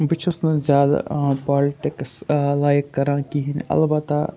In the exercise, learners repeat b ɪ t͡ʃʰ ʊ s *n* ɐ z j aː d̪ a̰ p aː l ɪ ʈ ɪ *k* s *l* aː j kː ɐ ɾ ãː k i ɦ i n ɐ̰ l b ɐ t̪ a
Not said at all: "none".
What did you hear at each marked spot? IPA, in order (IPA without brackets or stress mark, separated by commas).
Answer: n, k, l